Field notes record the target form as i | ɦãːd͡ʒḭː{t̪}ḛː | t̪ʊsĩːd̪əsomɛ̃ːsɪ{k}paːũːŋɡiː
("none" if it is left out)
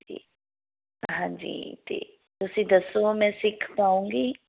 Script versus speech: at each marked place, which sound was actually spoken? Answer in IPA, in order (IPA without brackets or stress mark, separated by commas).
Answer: t̪, kʰ